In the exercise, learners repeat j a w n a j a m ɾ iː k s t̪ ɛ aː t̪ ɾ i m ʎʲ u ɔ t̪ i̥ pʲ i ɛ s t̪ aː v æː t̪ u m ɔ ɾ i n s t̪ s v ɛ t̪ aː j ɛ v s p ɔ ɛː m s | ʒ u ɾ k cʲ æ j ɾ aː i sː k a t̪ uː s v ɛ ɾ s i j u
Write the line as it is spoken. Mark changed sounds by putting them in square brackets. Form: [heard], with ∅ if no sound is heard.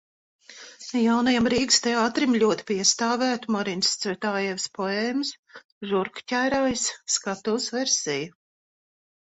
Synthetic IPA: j a w n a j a m ɾ iː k s t̪ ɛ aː t̪ ɾ i m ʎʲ u ɔ t̪ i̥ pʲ i ɛ s t̪ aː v æː t̪ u m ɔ ɾ i n s t̪ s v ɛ t̪ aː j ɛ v s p ɔ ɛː m s | ʒ u ɾ k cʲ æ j ɾ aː [j] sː k a t̪ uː s v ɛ ɾ s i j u